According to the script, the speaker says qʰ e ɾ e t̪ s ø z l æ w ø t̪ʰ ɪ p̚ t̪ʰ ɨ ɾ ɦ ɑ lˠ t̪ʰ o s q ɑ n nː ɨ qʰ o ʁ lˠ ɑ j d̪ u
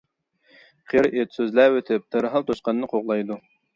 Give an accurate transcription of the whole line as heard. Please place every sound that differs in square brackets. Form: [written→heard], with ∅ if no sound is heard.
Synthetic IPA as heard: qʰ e ɾ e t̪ s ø z l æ w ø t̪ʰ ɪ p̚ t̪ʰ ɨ ɾ ɦ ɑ lˠ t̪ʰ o [s→ʃ] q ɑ n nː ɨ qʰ o ʁ lˠ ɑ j d̪ u

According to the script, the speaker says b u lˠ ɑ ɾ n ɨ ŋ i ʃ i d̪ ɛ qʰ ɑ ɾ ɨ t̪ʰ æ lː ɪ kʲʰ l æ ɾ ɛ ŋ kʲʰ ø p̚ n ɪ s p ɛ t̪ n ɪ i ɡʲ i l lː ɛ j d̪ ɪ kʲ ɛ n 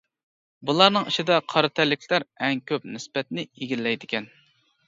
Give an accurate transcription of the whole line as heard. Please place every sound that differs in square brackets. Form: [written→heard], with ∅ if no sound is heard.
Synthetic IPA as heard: b u lˠ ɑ ɾ n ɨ ŋ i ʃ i d̪ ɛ qʰ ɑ ɾ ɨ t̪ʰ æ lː ɪ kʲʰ l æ ɾ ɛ ŋ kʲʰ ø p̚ n ɪ s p ɛ t̪ n ɪ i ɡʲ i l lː ɛ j d̪ ɪ kʲ ɛ n

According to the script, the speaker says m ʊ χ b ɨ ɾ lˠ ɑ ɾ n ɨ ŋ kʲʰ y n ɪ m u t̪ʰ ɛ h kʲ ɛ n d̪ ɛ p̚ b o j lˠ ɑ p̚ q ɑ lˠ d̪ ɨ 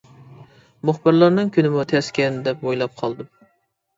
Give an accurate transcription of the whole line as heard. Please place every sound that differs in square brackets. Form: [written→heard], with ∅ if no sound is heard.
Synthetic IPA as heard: m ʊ χ b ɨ ɾ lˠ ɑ ɾ n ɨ ŋ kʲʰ y n ɪ m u t̪ʰ ɛ [h→s] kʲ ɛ n d̪ ɛ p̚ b o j lˠ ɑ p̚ [q→qʰ] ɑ lˠ d̪ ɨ

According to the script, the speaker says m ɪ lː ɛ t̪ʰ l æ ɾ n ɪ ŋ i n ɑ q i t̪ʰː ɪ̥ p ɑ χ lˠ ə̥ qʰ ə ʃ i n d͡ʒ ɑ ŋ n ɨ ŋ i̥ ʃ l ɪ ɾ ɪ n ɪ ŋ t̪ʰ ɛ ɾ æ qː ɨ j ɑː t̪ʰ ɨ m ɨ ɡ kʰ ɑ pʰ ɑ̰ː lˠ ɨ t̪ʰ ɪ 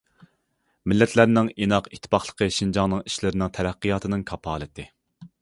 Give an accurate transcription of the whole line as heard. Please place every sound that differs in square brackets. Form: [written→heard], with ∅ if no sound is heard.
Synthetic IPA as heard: m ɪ lː ɛ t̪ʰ l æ ɾ n ɪ ŋ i n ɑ q i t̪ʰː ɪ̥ p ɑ χ lˠ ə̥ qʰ ə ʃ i n d͡ʒ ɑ ŋ n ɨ ŋ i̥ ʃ l ɪ ɾ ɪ n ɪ ŋ t̪ʰ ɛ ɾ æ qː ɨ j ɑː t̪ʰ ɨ [m→n] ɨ [ɡ→ŋ] kʰ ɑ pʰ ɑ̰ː lˠ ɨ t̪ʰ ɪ

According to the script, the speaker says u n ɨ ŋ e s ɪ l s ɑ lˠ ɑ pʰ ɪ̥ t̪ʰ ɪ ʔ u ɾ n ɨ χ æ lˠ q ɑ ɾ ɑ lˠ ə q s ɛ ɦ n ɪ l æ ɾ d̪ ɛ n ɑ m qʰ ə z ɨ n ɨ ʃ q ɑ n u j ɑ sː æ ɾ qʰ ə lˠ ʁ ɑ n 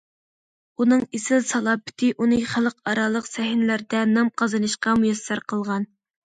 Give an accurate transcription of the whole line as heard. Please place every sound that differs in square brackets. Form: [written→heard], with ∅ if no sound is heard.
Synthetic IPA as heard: u n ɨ ŋ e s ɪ l s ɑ lˠ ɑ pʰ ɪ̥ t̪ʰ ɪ ʔ u [ɾ→∅] n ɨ χ æ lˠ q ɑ ɾ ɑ lˠ ə q s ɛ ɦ n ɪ l æ ɾ d̪ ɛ n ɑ m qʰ [ə→ɑ] z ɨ n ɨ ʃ q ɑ [n→m] u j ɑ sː æ ɾ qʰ ə lˠ ʁ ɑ n

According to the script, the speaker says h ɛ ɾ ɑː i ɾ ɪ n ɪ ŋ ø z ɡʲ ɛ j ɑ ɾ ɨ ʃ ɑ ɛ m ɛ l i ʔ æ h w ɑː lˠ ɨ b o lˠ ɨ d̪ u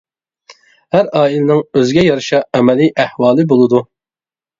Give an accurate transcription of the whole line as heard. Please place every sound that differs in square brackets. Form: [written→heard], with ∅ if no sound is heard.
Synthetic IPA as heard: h [ɛ→æ] ɾ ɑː i [ɾ→l] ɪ n ɪ ŋ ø z ɡʲ ɛ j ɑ ɾ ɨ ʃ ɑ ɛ m ɛ l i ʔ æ h w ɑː lˠ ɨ b o lˠ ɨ d̪ u

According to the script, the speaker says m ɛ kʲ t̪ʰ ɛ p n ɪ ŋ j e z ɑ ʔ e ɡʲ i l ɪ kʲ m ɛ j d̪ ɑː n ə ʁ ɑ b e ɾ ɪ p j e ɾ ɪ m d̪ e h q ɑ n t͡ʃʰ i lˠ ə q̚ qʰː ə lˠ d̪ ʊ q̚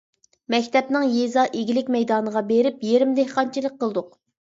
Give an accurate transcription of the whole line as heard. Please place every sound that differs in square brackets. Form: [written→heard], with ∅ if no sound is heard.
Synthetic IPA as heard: m ɛ kʲ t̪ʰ ɛ p n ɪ ŋ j e z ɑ ʔ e ɡʲ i l ɪ kʲ m ɛ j d̪ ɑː n ə ʁ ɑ b e ɾ ɪ p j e ɾ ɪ m d̪ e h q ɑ n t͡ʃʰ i lˠ ə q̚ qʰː ə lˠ d̪ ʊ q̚

